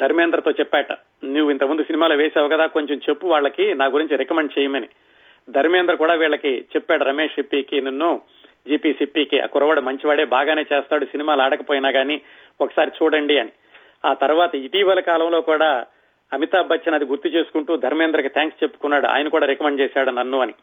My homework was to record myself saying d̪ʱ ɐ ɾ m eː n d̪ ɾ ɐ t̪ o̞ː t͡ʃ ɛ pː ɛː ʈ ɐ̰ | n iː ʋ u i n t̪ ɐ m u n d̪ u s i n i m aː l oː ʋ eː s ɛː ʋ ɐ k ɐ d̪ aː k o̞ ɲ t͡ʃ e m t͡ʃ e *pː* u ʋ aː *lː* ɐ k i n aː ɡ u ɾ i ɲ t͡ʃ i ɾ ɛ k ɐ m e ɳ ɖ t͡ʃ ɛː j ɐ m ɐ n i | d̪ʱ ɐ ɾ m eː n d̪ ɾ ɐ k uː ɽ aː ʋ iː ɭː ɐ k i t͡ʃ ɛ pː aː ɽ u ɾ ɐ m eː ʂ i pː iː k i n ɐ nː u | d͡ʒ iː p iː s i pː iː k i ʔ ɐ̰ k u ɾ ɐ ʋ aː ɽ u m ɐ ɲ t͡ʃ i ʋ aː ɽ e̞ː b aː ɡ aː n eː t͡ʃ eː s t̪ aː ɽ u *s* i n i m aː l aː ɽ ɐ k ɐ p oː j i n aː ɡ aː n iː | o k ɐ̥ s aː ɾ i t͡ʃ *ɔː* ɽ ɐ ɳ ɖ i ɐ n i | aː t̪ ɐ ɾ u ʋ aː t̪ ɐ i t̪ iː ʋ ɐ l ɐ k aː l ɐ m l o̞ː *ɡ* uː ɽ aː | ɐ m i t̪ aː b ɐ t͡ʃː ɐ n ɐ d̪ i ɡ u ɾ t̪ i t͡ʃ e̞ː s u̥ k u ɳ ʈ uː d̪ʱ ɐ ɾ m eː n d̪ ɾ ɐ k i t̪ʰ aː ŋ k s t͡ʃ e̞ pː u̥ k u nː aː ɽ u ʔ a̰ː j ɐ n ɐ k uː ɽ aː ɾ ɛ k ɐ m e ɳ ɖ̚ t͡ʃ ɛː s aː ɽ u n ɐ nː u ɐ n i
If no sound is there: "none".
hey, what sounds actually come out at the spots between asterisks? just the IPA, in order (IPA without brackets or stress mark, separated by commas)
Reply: pː, ɭː, s, uː, k